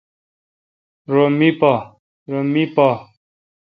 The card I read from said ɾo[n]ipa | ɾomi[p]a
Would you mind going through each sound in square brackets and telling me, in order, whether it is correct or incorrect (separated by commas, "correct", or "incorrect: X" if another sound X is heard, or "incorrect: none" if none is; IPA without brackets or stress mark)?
incorrect: m, correct